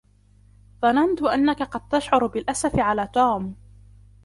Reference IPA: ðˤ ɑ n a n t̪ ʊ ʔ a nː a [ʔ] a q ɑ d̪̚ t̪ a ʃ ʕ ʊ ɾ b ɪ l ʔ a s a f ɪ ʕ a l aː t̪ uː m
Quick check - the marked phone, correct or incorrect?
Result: incorrect